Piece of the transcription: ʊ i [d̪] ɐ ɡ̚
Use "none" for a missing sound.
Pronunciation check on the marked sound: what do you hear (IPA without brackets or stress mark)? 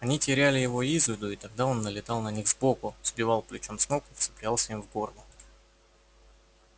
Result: t̪